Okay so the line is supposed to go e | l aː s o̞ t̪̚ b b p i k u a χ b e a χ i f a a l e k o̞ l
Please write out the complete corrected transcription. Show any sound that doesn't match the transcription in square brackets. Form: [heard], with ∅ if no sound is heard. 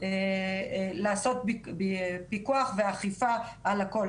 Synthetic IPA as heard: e | l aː s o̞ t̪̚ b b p i k u a χ [v] e a χ i f a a l [a] k o̞ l

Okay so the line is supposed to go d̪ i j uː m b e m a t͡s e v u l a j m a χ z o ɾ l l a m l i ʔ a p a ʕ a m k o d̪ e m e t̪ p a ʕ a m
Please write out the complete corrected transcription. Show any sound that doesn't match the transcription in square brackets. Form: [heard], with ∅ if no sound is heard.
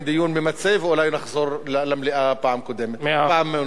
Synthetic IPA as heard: d̪ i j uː [n] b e m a t͡s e v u l a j [n] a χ z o ɾ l l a m l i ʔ a p a ʕ a m k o d̪ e m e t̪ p a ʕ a m

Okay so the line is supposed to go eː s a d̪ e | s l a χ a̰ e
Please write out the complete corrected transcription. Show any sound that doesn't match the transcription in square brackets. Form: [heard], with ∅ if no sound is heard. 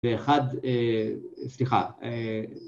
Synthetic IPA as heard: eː [χ] a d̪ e | s l [i] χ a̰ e

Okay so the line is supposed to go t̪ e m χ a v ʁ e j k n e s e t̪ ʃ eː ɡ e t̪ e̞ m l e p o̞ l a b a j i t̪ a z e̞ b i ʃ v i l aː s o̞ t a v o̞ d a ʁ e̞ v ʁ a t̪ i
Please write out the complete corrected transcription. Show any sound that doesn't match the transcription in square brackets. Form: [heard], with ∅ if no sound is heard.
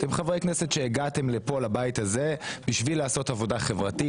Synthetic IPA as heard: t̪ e m χ a v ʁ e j k n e s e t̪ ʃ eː ɡ [a] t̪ e̞ m l e p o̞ l a b a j i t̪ a z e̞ b i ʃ v i l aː s o̞ t a v o̞ d a [χ] e̞ v ʁ a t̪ i

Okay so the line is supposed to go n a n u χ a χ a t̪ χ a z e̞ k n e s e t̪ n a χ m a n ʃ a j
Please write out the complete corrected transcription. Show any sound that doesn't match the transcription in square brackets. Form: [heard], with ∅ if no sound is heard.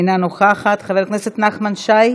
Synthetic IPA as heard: n a n [o] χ a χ a t̪ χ a [v] e̞ k n e s e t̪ n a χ m a n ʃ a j

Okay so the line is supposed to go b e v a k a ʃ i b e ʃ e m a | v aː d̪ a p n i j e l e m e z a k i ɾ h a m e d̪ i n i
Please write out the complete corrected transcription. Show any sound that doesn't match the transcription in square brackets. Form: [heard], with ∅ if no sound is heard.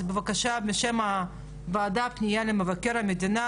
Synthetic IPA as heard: b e v a k a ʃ [a] b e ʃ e m a | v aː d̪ a p n i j [a] l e m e [v] a k [e] ɾ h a m e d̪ i n [a]

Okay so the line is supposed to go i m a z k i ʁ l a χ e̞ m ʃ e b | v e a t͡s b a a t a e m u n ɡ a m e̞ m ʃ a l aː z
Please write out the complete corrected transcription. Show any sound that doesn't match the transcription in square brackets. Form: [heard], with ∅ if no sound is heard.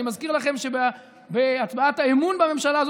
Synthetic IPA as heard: i m a z k i ʁ l a χ e̞ m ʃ e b | [b] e a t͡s b a a t a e m u n [b] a m e̞ m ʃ a l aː z

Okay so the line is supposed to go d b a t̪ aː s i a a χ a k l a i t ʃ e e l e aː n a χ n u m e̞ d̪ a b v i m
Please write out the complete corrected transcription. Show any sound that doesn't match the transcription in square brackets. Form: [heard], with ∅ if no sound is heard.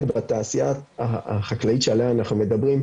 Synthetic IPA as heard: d b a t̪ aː s i a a χ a k l a i t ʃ e [a] l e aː n a χ n u m e̞ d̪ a b [ʁ] i m

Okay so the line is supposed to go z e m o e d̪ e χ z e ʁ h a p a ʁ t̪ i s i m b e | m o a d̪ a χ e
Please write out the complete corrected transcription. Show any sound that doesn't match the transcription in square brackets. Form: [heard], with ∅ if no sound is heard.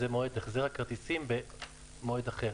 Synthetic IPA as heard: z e m o e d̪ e χ z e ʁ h a [k] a ʁ t̪ i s i m b e | m o [e] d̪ a χ e

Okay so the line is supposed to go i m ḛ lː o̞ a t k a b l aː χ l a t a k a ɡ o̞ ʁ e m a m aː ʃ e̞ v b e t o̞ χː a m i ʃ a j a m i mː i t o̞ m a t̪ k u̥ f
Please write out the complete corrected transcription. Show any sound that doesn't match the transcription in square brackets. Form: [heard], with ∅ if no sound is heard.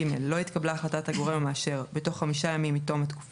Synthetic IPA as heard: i m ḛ lː o̞ [i] t k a b l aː χ l a t a [t] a ɡ o̞ ʁ e m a m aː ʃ e̞ [ʁ] b e t o̞ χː a m i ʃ a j a m i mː i t o̞ m a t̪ k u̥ f

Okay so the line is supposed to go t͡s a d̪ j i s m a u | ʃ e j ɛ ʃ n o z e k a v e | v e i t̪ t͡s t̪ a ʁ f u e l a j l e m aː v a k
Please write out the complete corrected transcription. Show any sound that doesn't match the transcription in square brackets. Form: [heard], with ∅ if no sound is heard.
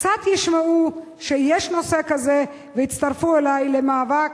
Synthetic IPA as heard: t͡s a [t̪] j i [ʃ] m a u | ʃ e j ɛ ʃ n o [s] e k a [z] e | v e i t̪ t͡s t̪ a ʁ f u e l a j l e m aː v a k

